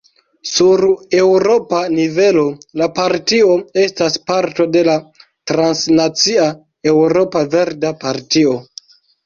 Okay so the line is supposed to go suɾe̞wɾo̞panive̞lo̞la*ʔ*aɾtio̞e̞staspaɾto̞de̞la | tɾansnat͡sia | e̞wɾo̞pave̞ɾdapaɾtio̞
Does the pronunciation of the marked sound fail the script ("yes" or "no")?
yes